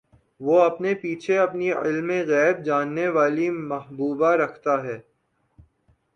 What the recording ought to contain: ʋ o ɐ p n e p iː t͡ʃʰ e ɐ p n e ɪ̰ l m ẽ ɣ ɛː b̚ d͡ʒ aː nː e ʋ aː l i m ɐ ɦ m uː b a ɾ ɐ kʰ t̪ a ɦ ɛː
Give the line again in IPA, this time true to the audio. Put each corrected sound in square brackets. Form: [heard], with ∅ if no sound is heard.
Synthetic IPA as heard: ʋ o ɐ p n e p iː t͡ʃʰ e ɐ p n [i] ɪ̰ l m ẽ ɣ ɛː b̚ d͡ʒ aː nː e ʋ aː l i m ɐ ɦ [b] uː b a ɾ ɐ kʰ t̪ a ɦ ɛː